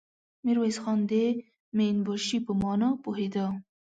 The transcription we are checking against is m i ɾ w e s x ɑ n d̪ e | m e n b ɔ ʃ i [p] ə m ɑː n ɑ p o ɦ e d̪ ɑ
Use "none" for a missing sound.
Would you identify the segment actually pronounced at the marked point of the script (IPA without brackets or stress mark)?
p